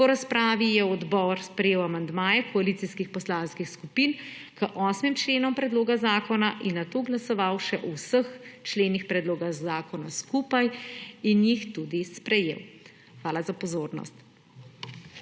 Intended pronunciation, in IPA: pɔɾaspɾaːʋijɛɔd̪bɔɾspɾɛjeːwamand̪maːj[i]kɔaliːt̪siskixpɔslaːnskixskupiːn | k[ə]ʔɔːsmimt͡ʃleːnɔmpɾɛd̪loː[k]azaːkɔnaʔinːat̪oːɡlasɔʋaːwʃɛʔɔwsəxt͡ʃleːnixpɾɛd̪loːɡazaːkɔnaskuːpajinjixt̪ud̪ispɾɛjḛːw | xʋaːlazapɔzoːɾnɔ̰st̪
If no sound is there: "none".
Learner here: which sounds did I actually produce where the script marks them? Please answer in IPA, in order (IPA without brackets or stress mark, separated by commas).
ɛ, ə, ɡ